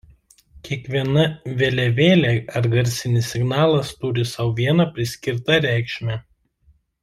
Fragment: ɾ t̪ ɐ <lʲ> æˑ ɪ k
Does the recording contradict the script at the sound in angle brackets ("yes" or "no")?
yes